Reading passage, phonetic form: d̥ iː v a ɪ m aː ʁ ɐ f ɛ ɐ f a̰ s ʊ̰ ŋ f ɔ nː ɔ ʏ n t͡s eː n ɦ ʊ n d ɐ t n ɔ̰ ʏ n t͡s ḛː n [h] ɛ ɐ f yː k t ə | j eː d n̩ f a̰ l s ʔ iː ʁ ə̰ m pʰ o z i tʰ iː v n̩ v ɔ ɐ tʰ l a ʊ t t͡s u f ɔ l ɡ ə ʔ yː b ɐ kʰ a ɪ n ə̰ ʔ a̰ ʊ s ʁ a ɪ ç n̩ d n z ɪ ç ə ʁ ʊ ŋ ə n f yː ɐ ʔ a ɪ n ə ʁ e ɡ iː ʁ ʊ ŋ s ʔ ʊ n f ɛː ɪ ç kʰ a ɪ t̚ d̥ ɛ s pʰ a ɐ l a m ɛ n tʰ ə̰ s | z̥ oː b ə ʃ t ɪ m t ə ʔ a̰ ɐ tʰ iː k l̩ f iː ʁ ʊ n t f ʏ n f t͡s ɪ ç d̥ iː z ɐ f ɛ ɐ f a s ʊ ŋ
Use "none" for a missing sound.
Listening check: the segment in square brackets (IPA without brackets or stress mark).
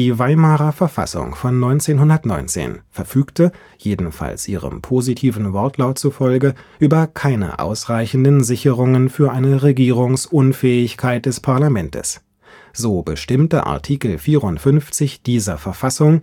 f